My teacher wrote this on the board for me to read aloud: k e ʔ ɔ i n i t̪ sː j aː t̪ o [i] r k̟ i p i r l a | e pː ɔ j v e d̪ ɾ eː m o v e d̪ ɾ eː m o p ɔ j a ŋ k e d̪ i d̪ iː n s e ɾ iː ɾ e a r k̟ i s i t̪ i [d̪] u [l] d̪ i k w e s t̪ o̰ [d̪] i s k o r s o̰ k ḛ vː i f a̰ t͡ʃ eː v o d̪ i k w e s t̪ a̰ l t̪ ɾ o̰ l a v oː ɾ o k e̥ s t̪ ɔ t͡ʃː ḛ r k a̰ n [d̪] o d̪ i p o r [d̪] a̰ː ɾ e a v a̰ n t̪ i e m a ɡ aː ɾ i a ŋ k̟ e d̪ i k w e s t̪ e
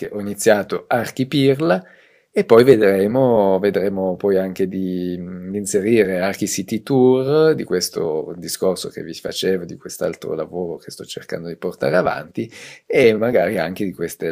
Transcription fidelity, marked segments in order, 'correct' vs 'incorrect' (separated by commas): incorrect, incorrect, incorrect, correct, correct, incorrect